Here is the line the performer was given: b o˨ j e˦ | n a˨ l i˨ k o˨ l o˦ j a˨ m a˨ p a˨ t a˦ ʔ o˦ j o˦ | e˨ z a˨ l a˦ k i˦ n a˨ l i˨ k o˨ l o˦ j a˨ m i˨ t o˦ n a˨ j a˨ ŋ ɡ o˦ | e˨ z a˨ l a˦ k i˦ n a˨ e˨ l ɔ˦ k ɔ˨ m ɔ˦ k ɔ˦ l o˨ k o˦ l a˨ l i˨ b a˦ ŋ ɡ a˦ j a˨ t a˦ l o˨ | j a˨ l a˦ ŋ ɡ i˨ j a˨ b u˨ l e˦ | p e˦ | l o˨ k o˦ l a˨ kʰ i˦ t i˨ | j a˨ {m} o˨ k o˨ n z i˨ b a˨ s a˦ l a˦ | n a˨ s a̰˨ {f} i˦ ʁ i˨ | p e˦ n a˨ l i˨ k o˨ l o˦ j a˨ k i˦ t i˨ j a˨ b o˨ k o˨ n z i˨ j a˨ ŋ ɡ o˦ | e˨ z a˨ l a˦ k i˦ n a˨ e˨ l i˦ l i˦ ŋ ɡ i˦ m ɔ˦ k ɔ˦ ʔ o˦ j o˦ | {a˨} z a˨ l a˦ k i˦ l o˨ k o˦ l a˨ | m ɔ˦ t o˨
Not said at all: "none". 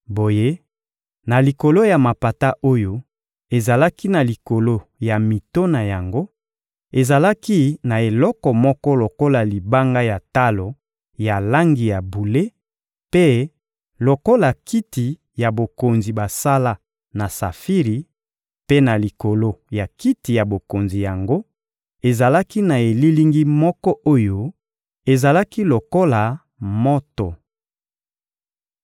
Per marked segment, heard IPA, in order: b, f, e˨

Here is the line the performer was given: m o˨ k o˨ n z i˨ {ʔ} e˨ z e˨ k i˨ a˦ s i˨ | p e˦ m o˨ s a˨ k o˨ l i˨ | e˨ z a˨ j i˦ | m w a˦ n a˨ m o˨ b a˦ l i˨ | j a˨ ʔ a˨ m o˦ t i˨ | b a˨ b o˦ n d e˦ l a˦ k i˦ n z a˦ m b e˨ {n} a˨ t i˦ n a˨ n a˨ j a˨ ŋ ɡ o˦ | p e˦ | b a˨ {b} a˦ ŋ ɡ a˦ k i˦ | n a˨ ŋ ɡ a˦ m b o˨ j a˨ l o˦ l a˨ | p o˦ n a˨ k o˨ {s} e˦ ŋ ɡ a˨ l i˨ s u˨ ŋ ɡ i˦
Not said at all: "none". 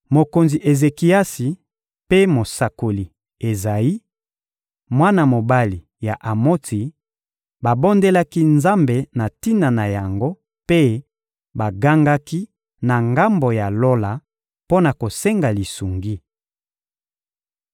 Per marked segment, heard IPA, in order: ʔ, n, ɡ, s

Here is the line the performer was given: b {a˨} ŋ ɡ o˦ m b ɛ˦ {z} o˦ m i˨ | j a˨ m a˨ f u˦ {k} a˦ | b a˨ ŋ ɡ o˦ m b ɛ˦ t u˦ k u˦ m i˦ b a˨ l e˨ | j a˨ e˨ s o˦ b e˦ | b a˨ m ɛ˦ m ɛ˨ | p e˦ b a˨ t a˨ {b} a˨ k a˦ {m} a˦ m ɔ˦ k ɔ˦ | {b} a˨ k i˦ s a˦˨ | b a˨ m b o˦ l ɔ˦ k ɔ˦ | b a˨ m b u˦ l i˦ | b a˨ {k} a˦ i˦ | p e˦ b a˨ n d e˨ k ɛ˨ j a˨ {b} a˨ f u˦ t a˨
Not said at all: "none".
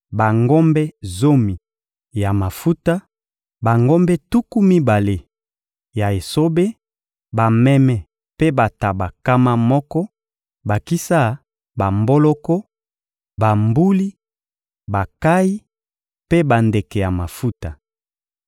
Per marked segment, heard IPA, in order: a˨, z, t, b, m, b, k, m

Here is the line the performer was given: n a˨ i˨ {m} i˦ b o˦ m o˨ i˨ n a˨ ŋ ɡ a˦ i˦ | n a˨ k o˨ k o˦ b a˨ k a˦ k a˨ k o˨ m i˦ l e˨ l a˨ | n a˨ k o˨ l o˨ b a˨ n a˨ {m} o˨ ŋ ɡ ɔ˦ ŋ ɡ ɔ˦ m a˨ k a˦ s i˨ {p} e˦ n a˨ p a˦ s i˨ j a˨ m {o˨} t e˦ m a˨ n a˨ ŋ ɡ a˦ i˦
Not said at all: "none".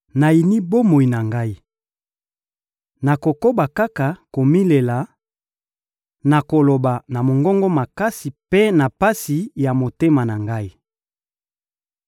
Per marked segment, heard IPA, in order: n, m, p, o˨

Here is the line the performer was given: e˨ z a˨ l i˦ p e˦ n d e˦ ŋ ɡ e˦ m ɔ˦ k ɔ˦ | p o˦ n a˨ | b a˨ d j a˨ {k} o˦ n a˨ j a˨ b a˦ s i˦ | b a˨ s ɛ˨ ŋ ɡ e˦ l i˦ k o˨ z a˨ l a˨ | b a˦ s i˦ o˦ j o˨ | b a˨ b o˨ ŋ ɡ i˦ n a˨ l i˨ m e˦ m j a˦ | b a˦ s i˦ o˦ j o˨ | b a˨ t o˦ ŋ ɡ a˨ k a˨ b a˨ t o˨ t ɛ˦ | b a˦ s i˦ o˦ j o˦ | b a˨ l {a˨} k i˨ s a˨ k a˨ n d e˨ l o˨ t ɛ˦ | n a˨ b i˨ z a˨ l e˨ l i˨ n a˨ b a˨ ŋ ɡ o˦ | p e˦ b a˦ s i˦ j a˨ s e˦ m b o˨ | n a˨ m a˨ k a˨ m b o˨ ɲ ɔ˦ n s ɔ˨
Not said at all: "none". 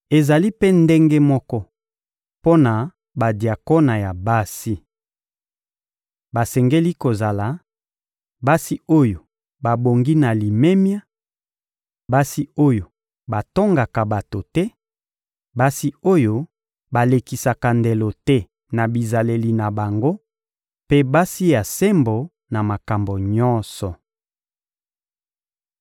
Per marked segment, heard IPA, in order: k, e˨

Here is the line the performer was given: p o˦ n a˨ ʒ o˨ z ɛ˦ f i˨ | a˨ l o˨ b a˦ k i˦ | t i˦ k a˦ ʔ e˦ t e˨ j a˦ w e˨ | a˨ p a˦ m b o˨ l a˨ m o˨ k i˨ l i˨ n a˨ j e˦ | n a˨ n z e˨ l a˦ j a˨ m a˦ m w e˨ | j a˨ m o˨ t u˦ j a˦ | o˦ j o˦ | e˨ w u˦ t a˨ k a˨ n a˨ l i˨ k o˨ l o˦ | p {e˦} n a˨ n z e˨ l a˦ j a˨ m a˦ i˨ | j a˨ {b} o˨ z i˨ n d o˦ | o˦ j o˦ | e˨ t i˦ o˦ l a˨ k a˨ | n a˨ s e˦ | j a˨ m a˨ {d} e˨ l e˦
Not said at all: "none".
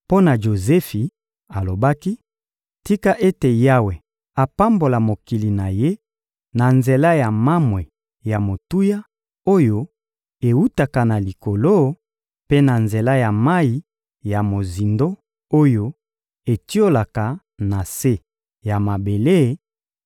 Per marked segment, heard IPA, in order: e˦, m, b

